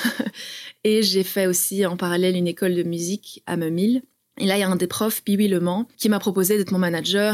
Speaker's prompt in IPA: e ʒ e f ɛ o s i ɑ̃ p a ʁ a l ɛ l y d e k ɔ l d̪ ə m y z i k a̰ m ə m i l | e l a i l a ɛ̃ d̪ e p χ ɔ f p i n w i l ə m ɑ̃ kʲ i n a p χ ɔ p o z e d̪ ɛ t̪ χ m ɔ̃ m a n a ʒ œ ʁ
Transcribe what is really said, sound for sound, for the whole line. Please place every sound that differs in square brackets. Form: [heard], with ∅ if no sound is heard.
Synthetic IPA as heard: e ʒ e f ɛ o s i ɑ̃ p a ʁ a l ɛ l y [n] e k ɔ l d̪ ə m y z i k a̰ m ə m i l | e l a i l a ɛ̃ d̪ e p χ ɔ f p i [∅] w i l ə m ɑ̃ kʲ i [m] a p χ ɔ p o z e d̪ ɛ t̪ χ m ɔ̃ m a n a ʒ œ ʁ